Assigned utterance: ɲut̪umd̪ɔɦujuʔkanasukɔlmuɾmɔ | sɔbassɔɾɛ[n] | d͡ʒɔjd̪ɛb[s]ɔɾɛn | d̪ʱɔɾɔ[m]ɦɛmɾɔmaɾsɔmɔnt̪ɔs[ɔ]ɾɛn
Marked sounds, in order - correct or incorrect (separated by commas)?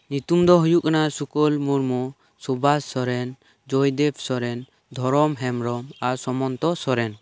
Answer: correct, correct, correct, correct